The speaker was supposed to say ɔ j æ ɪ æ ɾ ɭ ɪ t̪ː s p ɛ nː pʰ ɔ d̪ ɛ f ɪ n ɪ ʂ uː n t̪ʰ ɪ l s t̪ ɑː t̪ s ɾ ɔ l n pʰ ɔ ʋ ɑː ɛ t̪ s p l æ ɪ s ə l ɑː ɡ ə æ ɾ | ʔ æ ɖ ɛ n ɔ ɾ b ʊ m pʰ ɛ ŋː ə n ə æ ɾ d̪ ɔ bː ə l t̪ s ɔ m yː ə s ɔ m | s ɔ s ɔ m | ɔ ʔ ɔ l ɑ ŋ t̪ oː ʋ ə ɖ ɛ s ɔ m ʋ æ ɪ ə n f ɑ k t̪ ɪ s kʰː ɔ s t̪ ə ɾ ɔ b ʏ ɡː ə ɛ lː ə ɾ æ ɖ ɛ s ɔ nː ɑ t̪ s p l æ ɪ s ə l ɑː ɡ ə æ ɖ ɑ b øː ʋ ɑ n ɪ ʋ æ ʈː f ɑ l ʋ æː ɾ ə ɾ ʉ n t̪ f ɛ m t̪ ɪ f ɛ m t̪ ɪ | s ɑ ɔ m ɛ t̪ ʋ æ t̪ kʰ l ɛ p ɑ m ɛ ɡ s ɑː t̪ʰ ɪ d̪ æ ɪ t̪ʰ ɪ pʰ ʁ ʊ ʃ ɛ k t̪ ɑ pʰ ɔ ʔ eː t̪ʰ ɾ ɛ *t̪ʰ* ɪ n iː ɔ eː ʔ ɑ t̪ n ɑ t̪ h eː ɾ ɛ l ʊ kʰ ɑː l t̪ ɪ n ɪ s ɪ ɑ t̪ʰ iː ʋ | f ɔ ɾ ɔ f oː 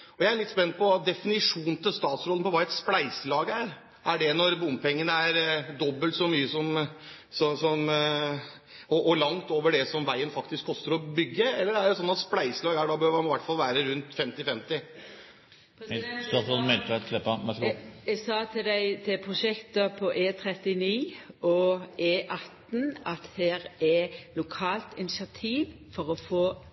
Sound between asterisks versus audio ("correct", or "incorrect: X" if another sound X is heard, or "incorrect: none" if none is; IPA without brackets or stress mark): incorrect: t̪